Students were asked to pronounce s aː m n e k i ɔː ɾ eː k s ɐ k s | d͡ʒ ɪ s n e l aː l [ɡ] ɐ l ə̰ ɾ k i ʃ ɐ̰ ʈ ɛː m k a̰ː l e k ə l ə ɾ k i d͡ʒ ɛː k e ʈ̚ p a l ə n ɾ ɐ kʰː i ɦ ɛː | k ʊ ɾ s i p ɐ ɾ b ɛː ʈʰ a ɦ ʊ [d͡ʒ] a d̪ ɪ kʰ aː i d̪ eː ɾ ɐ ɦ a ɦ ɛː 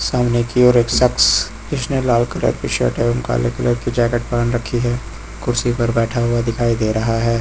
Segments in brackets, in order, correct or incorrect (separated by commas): incorrect, incorrect